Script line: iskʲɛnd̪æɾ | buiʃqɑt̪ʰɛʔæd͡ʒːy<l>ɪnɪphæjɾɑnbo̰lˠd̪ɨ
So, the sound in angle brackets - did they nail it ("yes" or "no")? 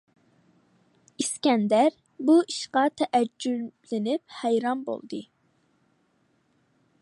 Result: yes